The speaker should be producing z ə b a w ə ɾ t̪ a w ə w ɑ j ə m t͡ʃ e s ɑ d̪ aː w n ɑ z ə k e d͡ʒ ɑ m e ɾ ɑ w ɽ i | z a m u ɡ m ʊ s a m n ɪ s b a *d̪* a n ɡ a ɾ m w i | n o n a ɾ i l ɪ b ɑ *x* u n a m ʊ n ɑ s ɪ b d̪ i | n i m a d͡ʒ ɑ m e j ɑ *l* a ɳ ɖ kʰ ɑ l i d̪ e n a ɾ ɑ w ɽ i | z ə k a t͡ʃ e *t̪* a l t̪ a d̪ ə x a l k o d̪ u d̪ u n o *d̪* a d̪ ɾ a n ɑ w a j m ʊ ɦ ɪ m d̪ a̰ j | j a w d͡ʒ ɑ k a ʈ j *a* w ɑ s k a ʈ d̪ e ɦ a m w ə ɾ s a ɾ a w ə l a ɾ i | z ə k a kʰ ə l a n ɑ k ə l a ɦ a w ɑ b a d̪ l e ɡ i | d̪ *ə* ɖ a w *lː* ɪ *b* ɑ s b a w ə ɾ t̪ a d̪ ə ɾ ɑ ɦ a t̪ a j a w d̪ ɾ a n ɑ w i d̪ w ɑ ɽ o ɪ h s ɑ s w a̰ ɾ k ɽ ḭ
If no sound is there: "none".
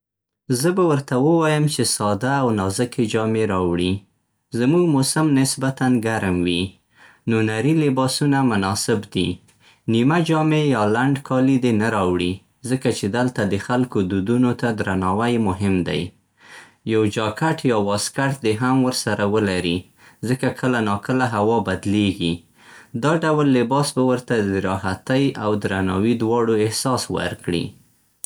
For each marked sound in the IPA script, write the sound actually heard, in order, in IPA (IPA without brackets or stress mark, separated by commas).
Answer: t̪, s, l, d̪, t̪, ɑ, ɑ, lː, b